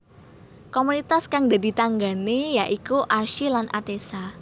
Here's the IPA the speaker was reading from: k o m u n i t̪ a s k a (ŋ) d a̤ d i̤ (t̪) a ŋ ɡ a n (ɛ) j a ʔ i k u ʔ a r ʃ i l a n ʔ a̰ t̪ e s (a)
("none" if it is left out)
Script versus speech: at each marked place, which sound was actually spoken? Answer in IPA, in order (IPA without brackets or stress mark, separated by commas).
ŋ, t̪, e, a